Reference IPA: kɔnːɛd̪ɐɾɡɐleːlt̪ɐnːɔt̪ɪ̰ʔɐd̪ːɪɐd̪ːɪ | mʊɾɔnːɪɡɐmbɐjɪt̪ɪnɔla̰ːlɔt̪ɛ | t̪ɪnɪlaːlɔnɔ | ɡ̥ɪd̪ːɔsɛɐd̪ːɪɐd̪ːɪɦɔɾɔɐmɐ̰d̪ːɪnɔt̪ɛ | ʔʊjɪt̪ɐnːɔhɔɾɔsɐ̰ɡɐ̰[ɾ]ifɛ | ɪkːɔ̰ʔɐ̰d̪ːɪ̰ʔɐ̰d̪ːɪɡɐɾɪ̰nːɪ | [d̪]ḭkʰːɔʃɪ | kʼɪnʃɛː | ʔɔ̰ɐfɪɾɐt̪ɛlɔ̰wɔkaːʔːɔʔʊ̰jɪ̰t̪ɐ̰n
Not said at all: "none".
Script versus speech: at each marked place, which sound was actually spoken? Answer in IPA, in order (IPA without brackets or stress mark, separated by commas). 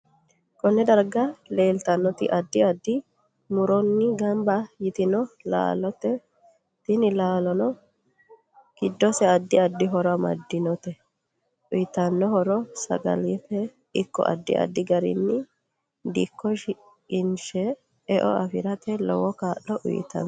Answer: l, d̪